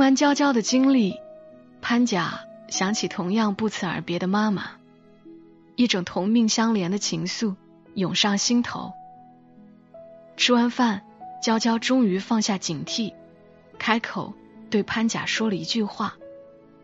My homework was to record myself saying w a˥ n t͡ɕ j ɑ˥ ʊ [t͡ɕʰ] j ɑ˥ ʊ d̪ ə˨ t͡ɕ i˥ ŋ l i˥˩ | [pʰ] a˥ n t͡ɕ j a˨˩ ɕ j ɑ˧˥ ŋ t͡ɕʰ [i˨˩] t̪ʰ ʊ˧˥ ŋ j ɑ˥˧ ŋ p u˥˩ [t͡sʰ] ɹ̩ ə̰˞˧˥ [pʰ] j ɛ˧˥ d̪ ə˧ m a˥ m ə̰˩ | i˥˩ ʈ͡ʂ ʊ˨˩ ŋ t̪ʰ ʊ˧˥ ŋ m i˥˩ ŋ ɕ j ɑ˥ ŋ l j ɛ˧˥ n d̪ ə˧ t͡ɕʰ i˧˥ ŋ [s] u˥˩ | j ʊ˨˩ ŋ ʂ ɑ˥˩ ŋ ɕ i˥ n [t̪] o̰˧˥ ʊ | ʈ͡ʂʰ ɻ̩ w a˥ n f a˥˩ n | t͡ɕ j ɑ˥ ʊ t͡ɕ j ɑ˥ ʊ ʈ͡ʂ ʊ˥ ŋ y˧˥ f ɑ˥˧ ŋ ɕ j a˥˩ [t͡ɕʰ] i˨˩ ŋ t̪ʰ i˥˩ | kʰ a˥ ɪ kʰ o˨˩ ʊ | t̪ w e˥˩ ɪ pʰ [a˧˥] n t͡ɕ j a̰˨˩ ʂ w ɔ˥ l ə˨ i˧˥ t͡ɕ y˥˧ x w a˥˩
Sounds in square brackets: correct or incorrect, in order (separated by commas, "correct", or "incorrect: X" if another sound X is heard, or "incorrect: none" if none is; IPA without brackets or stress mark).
incorrect: t͡ɕ, correct, correct, correct, incorrect: p, correct, incorrect: t̪ʰ, incorrect: t͡ɕ, incorrect: a˥